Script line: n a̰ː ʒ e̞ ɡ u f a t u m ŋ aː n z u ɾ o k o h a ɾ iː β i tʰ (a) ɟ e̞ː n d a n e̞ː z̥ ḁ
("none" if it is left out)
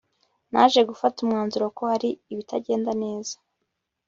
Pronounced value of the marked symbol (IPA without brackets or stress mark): a